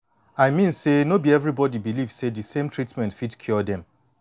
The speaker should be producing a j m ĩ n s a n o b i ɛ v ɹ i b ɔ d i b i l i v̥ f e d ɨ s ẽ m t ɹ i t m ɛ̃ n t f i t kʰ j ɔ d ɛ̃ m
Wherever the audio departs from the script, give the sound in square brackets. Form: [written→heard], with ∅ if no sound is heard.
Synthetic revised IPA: a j m ĩ n s [a→e] n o b i ɛ v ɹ i b ɔ d i b i l i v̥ [f→s] e d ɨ s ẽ m t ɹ i t m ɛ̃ n t f i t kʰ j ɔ d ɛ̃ m